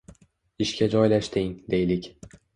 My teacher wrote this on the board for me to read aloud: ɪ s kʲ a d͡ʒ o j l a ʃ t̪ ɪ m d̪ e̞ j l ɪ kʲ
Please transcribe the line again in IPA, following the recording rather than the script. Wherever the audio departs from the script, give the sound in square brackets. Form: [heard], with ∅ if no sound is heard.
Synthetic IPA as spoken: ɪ [ʃ] kʲ a d͡ʒ [ɒ] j l a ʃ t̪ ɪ [ŋ] d̪ e̞ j l ɪ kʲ